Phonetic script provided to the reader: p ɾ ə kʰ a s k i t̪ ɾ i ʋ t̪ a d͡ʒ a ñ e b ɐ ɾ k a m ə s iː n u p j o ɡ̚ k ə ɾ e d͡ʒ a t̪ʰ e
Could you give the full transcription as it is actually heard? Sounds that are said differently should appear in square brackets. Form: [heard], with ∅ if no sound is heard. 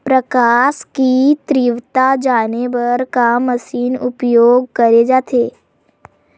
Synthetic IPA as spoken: p ɾ ə [k] a s k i t̪ ɾ i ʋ t̪ a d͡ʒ a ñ e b [ə] ɾ k a m ə s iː n u p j o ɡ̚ k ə ɾ e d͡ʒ a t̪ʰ e